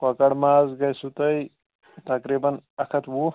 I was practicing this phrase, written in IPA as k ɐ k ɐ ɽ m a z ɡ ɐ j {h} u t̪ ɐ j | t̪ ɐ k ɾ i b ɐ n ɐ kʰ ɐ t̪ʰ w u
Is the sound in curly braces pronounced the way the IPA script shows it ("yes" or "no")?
no